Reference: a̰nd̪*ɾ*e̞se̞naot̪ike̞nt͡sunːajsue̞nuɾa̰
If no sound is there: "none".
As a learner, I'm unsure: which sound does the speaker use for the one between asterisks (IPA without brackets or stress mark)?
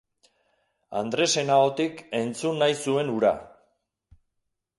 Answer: ɾ